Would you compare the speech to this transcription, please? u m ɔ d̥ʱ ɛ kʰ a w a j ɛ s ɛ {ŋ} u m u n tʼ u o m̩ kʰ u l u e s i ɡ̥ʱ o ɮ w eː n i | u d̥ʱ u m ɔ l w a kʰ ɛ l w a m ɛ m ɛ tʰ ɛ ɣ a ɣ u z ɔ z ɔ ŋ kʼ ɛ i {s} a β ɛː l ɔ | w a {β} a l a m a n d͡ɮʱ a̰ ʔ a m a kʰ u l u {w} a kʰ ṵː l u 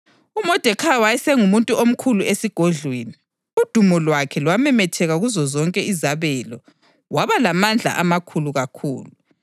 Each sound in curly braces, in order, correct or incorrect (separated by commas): correct, incorrect, correct, incorrect